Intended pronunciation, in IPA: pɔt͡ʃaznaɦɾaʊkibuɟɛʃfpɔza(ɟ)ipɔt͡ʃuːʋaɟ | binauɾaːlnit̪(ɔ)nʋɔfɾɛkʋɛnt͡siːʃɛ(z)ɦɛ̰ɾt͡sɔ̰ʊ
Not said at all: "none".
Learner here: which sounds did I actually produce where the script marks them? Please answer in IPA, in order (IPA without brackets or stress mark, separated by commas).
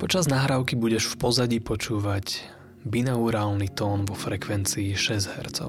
ɟ, ɔː, z